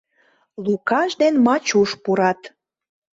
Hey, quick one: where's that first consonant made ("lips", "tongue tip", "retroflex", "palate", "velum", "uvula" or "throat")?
tongue tip